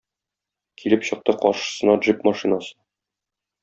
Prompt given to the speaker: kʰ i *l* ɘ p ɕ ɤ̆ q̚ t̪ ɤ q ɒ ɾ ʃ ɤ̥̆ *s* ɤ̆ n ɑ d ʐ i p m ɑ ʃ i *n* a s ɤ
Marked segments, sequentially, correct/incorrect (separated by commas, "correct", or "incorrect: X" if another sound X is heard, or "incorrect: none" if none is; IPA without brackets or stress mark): correct, correct, correct